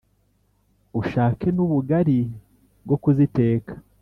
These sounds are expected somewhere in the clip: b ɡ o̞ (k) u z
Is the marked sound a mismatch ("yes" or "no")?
no